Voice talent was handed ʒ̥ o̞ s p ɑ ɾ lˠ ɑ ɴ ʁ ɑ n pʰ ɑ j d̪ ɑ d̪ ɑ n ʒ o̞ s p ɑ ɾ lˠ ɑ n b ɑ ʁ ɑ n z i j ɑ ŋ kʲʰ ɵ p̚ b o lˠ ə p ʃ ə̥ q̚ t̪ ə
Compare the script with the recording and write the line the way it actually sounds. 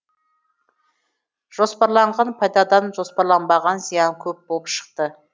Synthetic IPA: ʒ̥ o̞ s p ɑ ɾ lˠ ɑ ɴ ʁ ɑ n pʰ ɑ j d̪ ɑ d̪ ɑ n ʒ o̞ s p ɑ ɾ lˠ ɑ n b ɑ ʁ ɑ n z i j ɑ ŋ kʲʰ ɵ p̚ b o lˠ ə p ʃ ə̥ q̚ t̪ ə